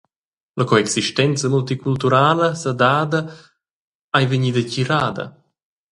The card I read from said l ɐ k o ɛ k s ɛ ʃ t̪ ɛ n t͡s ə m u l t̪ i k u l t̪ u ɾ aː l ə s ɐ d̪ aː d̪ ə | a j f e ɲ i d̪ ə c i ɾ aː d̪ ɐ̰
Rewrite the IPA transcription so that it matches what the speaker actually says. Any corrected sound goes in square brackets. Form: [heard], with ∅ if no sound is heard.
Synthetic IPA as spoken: l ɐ k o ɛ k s [i] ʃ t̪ ɛ n t͡s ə m u l t̪ i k u l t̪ u ɾ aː l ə s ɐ d̪ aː d̪ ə | a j [v] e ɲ i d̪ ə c i ɾ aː d̪ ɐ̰